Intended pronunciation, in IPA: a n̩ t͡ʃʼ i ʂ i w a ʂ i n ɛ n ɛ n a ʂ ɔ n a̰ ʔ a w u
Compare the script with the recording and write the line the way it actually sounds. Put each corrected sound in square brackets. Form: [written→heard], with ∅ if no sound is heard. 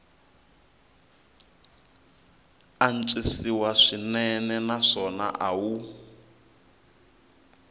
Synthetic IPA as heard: a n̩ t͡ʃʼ i [ʂ→s] i w a ʂ i n ɛ n ɛ n a ʂ ɔ n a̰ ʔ a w u